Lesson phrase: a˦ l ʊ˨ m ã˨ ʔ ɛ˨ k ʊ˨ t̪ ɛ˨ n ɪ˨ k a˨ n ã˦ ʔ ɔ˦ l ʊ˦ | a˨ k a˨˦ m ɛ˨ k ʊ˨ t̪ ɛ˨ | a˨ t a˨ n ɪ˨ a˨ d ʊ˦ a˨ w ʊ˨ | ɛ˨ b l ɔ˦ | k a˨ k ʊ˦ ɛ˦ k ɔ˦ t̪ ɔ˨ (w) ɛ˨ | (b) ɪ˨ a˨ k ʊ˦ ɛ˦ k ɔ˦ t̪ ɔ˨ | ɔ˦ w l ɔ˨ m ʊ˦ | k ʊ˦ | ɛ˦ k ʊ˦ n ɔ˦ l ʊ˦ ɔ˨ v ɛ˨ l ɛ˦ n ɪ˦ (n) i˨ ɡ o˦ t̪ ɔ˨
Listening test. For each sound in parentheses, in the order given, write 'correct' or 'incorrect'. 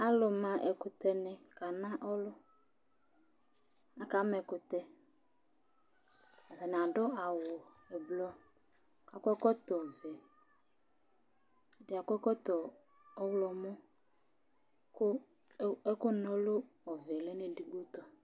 incorrect, incorrect, incorrect

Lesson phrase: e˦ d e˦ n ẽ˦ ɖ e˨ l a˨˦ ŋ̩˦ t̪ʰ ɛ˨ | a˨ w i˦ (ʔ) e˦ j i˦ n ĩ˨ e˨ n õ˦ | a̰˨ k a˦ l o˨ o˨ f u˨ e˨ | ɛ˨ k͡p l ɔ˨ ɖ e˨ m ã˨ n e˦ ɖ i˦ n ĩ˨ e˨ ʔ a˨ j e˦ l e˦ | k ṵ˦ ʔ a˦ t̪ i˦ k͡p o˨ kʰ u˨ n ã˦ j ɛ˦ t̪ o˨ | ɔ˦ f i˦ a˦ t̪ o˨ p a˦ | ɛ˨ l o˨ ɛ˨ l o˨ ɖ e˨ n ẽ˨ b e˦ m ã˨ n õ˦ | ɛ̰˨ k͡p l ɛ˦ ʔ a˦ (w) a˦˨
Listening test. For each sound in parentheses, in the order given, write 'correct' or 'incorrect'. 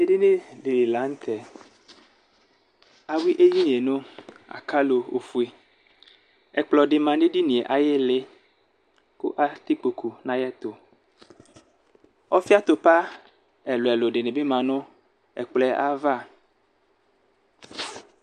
correct, incorrect

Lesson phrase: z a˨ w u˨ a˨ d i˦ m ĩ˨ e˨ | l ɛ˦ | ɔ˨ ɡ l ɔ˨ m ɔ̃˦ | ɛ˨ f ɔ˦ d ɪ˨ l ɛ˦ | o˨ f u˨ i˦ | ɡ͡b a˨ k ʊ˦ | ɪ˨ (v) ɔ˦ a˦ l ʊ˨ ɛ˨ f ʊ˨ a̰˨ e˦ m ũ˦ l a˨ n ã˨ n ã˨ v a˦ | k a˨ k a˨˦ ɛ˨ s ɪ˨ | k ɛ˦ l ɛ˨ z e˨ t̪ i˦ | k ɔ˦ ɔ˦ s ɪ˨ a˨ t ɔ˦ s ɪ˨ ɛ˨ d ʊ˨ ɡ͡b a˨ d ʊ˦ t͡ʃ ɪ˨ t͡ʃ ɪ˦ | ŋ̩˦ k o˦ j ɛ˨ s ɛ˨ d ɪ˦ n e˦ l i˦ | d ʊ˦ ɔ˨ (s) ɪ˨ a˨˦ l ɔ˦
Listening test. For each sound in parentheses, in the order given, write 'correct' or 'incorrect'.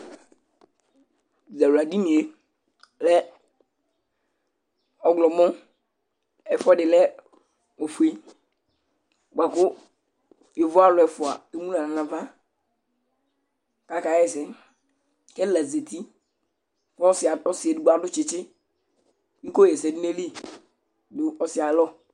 correct, correct

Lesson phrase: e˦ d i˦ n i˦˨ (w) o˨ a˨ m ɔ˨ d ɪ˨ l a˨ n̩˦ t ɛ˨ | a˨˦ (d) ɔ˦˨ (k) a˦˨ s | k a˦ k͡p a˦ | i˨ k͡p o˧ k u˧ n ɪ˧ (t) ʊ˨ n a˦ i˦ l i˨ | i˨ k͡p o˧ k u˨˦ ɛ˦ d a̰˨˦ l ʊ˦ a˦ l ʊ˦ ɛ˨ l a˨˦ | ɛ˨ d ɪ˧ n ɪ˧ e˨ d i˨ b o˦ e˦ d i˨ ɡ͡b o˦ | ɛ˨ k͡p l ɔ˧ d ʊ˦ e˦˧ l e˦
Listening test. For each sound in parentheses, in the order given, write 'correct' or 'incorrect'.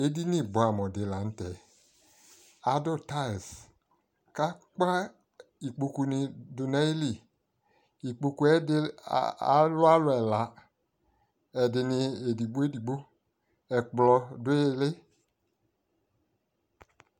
incorrect, correct, incorrect, incorrect

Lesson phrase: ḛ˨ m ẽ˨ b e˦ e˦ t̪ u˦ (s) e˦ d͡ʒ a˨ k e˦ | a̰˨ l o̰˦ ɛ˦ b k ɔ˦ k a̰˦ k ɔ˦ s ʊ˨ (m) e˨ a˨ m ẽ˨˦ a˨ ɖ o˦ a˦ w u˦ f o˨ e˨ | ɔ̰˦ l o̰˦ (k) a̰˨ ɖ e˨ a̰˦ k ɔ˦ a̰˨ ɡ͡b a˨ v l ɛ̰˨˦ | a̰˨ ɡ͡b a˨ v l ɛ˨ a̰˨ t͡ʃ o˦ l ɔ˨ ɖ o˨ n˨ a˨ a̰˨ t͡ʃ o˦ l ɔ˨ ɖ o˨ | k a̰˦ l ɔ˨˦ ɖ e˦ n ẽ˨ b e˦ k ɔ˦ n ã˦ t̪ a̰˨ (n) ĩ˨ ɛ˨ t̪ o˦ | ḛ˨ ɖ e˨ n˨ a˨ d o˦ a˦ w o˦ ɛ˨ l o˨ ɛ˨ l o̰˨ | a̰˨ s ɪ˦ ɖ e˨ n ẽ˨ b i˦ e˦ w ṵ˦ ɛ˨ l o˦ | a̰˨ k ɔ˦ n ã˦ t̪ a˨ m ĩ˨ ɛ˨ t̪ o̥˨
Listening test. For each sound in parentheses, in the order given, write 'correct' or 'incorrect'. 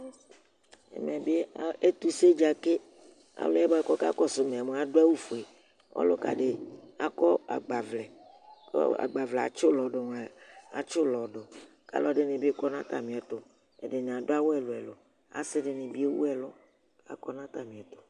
correct, correct, correct, incorrect

